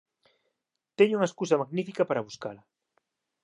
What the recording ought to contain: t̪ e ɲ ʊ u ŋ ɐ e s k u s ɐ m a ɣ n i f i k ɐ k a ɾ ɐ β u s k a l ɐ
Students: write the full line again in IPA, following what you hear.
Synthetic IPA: t̪ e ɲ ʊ u ŋ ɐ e s k u s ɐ m a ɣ n i f i k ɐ p a ɾ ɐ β u s k a l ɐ